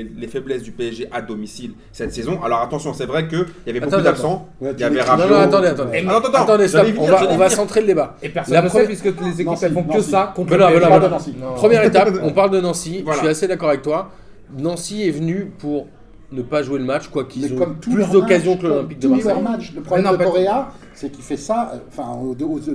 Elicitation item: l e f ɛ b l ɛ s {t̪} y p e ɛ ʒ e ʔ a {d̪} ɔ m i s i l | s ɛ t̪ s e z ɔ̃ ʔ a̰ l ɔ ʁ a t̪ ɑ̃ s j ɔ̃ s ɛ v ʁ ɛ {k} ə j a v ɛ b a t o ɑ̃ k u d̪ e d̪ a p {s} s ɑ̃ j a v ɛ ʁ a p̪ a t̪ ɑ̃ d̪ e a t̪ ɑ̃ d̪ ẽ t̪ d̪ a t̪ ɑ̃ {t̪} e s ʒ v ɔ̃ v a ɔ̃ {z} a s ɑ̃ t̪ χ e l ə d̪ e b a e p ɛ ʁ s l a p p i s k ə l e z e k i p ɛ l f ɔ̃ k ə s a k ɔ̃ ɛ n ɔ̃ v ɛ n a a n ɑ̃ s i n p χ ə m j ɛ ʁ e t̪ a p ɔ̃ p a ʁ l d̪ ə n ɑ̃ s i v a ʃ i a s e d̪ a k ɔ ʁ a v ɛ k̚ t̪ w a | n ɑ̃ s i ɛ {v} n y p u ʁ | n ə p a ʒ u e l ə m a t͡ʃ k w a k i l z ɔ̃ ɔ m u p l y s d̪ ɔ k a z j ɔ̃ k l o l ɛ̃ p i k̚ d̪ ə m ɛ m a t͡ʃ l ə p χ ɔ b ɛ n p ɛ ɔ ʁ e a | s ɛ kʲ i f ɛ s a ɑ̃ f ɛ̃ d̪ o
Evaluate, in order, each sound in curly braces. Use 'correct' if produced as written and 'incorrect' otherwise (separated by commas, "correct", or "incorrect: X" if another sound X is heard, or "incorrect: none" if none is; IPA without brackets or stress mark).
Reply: incorrect: d̪, correct, correct, correct, incorrect: d̪, incorrect: v, correct